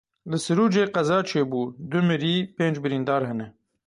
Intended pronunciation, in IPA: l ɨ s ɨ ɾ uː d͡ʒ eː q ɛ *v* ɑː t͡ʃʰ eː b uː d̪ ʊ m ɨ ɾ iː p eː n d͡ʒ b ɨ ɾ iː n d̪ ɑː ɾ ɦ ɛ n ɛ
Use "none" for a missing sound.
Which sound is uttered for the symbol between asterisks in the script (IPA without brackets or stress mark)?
z